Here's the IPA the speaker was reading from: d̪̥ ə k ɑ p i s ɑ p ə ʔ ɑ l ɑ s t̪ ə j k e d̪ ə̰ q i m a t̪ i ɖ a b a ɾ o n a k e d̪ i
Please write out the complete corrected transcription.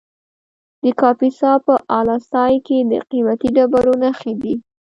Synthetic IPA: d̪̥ ə k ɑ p i s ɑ p ə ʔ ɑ l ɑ s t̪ ɑ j k e d̪ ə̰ q i m a t̪ i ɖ a b a ɾ o n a x e d̪ i